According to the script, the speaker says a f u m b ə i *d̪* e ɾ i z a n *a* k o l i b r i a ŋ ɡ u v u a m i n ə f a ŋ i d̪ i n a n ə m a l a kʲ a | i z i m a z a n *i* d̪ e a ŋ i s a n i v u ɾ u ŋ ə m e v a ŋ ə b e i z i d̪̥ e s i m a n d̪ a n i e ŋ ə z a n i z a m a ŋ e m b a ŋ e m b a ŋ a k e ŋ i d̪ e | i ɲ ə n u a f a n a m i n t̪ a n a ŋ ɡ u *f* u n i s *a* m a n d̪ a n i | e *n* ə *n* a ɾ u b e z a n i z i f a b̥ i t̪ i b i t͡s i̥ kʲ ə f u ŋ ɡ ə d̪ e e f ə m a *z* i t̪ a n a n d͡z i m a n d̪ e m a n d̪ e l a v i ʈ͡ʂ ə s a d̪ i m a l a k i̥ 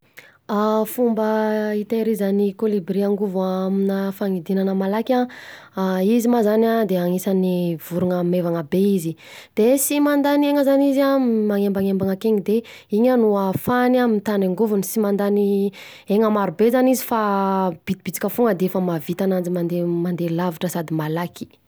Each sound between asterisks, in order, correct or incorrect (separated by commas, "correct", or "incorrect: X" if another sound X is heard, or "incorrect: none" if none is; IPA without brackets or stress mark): incorrect: t̪, incorrect: i, incorrect: a, incorrect: v, incorrect: i, incorrect: ŋ, incorrect: m, incorrect: v